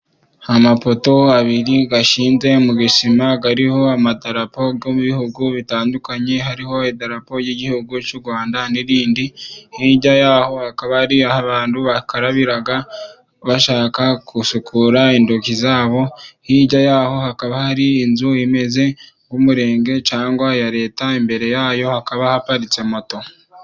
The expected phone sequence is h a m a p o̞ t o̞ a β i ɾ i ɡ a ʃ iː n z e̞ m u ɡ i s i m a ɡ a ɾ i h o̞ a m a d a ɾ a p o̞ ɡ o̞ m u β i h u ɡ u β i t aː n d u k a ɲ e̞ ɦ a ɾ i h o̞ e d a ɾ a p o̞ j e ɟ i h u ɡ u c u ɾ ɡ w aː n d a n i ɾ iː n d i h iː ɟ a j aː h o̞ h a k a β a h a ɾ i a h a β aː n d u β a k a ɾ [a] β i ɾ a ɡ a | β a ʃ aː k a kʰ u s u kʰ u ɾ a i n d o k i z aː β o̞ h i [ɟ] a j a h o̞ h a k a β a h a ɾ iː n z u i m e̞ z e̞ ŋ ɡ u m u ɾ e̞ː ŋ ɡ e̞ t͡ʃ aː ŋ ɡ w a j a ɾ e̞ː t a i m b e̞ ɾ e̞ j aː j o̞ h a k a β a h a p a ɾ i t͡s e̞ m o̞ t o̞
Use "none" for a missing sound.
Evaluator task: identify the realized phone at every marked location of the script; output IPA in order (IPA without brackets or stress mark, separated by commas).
a, ɟ